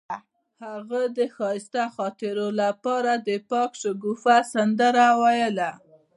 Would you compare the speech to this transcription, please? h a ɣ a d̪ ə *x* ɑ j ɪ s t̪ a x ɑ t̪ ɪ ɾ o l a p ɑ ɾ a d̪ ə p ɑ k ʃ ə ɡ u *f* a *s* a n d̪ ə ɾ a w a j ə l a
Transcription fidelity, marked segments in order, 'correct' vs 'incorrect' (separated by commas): correct, correct, correct